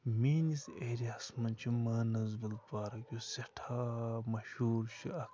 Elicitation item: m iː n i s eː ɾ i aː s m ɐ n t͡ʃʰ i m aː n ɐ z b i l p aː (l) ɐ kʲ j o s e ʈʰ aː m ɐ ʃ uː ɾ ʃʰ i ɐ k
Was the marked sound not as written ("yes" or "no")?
yes